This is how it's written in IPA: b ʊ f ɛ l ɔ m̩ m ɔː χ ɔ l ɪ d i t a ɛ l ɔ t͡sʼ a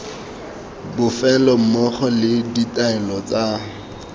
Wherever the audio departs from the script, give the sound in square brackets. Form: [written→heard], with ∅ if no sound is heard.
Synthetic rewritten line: b ʊ f ɛ l ɔ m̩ m [ɔː→ɔ] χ ɔ l ɪ d i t a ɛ l ɔ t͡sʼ a